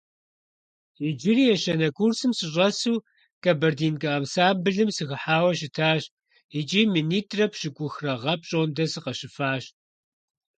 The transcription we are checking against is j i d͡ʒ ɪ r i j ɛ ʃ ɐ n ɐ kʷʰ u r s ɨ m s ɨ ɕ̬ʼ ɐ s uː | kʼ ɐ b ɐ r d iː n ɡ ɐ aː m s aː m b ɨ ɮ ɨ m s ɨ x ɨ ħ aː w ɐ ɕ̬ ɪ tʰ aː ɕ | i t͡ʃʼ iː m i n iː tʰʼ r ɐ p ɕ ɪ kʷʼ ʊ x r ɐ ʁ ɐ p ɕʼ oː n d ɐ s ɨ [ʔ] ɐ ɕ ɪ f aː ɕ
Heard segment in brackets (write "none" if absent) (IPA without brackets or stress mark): q